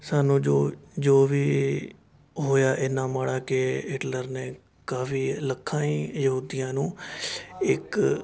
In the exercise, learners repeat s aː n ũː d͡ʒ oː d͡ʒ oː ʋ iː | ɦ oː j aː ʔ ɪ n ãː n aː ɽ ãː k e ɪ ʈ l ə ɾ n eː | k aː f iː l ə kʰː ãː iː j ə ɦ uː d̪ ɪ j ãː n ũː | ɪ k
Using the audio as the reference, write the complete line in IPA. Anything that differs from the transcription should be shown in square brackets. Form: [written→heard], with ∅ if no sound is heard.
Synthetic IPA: s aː n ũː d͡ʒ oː d͡ʒ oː ʋ iː | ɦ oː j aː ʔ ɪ n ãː [n→m] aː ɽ [ãː→aː] k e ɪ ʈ l ə ɾ n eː | k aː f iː l ə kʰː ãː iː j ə ɦ uː d̪ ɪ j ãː n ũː | ɪ k